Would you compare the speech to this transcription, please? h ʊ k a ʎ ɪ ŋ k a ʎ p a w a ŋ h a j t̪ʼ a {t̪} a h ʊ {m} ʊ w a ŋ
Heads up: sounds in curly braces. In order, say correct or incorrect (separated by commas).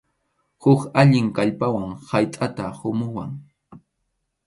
correct, correct